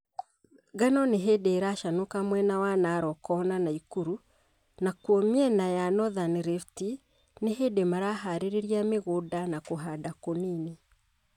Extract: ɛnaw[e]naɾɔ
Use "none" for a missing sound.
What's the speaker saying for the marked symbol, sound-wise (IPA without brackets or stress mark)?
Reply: a